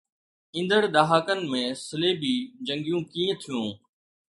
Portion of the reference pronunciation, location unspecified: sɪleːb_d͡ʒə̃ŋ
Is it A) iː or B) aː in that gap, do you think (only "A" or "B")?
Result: A